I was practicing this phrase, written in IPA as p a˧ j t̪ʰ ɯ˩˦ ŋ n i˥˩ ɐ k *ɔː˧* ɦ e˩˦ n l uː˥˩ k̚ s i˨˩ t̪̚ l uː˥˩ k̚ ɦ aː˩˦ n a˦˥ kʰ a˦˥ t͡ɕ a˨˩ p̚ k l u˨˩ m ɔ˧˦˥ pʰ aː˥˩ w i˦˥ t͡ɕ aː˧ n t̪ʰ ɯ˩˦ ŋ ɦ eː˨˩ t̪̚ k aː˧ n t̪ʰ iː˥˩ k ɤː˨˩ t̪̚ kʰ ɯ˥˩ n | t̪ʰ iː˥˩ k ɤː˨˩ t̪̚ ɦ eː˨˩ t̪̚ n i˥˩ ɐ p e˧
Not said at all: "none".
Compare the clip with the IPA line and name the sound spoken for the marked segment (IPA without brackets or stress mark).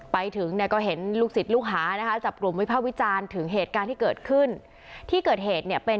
ɔː˥˩